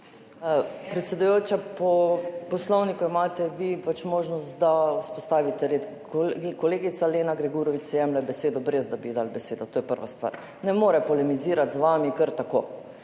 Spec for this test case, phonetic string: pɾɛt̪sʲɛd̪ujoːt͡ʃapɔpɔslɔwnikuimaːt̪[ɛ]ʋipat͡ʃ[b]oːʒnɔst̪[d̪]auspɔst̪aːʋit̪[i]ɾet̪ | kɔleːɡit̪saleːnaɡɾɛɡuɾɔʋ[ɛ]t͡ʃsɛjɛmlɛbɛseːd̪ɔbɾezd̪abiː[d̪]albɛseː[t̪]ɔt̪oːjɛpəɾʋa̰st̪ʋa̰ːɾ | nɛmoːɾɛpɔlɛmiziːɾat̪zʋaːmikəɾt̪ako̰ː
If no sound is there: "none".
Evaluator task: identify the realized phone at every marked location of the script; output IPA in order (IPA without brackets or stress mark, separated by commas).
ɛ, m, d̪, ɛ, i, d̪, d̪